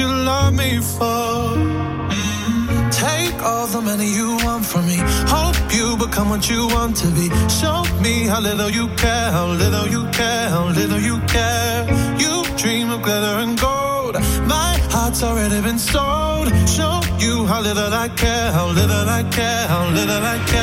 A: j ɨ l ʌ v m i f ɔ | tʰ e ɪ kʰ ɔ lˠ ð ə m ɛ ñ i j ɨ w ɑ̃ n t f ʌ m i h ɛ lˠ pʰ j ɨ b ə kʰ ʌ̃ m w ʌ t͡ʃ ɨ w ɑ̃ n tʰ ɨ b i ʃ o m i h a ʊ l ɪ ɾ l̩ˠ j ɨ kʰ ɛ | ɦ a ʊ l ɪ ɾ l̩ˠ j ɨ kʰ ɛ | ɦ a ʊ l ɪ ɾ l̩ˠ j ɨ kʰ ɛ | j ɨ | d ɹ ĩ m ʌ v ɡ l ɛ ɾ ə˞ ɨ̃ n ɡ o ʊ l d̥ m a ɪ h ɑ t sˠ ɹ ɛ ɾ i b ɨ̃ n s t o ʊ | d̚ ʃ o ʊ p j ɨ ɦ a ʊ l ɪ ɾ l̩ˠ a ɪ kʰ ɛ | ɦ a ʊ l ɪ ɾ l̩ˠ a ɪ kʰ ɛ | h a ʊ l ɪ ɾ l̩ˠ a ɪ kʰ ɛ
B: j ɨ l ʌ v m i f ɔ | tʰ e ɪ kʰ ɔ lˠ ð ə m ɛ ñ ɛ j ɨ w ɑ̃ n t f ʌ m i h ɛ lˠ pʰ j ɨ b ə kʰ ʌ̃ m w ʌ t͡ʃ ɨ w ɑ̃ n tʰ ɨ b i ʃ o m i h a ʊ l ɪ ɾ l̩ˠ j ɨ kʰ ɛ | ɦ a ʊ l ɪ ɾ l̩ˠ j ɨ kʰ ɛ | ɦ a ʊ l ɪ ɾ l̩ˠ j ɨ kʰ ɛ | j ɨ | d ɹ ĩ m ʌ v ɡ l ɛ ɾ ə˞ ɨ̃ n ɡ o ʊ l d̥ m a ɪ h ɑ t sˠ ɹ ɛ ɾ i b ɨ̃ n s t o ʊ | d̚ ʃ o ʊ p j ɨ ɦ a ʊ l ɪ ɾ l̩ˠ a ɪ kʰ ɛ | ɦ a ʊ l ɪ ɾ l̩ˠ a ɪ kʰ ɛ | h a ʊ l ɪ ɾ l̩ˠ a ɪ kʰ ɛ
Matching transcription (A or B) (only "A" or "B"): A